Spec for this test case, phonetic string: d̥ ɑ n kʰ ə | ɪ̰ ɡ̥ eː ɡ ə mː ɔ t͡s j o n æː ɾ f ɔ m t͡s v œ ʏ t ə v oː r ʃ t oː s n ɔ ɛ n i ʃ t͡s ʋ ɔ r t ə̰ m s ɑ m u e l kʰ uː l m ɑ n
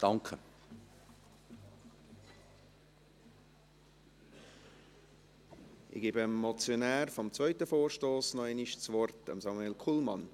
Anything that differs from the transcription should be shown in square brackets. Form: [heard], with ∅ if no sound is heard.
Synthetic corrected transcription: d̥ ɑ [ŋ] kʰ ə | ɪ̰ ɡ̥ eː [b] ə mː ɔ t͡s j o n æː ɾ f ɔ m t͡s v œ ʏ t ə [f] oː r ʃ t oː s n ɔ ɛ n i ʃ t͡s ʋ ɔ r t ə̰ m s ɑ m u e l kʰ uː l m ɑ n